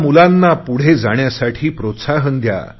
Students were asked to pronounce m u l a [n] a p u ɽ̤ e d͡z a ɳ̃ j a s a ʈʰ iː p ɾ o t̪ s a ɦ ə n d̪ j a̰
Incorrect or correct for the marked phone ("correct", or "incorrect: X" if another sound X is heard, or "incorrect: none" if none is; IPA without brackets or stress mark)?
incorrect: nː